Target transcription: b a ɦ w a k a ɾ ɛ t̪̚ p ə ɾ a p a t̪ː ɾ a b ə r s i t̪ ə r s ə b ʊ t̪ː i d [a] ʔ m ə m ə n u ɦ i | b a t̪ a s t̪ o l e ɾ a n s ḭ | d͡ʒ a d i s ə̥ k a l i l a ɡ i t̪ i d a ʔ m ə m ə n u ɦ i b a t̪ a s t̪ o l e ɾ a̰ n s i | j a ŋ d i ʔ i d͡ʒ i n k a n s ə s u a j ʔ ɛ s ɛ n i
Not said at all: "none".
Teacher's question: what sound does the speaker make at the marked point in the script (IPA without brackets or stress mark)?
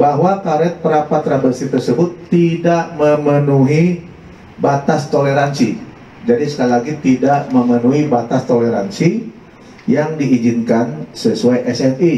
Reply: a